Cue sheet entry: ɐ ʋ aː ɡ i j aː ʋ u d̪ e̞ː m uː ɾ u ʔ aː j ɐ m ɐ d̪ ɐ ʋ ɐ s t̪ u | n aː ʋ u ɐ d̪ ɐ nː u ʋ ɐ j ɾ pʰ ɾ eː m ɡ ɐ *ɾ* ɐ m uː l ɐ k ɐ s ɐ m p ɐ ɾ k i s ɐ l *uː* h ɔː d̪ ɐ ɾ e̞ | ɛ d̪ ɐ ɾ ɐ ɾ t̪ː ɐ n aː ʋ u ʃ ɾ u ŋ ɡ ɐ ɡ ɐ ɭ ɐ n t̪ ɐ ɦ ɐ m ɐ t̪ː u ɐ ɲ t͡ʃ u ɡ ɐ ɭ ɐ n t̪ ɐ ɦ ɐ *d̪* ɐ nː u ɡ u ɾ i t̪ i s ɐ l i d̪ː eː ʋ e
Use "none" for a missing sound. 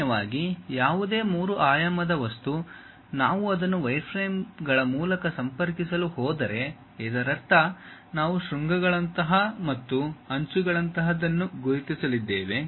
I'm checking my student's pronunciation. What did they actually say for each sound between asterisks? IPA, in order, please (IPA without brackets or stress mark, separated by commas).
ɭ, u, d̪